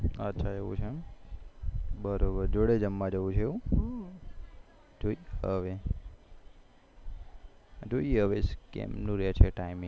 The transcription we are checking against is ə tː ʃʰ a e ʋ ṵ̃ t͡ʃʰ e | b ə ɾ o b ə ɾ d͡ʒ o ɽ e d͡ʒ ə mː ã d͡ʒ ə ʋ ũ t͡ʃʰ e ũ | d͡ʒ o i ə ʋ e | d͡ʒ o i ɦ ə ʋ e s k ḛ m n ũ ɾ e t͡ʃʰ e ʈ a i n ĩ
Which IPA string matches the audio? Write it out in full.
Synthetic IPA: ə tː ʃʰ a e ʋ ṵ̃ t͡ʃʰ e | b ə ɾ o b ə ɾ d͡ʒ o ɽ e d͡ʒ ə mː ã d͡ʒ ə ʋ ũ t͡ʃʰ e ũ | d͡ʒ o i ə ʋ e | d͡ʒ o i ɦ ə ʋ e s k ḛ m n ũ ɾ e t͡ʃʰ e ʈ a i m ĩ